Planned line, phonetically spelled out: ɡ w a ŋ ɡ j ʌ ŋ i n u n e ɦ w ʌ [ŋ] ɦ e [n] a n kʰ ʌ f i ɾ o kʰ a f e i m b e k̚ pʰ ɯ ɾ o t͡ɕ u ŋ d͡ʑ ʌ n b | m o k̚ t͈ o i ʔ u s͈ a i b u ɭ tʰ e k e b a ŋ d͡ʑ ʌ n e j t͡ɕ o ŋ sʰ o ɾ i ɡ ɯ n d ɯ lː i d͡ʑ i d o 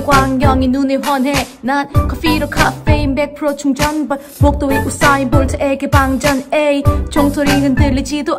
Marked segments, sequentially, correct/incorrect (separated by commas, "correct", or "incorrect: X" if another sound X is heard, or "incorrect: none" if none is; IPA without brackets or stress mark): incorrect: n, correct